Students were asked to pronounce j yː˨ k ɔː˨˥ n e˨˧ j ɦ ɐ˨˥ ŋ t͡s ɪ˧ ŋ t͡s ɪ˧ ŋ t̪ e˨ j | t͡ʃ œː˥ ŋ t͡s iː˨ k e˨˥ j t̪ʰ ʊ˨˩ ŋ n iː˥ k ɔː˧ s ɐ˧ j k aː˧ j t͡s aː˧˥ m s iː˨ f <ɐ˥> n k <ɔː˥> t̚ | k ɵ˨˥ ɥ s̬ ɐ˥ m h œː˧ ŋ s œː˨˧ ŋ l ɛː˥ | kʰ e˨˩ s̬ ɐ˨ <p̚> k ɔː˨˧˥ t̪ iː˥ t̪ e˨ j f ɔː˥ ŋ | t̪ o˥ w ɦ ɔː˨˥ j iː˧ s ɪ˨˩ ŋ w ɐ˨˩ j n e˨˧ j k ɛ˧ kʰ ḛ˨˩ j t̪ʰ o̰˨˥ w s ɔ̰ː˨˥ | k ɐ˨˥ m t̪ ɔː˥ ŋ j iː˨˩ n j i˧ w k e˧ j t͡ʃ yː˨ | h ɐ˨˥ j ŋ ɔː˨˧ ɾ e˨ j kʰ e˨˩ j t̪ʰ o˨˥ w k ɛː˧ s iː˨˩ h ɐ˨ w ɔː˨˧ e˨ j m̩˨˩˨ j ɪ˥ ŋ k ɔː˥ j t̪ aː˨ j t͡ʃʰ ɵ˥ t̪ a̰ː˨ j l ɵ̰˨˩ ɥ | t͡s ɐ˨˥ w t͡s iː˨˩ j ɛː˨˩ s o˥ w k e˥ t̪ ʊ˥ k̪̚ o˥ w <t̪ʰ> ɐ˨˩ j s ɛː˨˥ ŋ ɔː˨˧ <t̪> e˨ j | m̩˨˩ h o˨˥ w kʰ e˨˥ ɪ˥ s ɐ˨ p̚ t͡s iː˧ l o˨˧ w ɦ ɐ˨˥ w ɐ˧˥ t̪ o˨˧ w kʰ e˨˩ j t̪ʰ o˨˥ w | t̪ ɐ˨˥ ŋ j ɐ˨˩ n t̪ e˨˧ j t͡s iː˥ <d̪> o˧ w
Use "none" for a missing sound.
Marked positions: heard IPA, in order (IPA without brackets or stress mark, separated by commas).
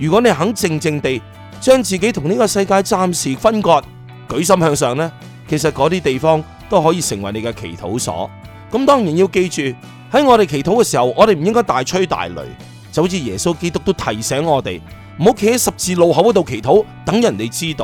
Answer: ɐ˥, ɔː˧, t̚, t̪ʰ, t̪, t̪